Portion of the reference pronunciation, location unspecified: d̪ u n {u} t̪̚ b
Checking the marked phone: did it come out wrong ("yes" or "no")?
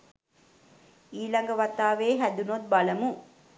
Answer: yes